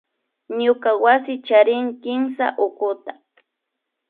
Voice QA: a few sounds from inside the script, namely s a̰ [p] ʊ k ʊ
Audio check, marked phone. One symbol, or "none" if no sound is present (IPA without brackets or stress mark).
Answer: ʔ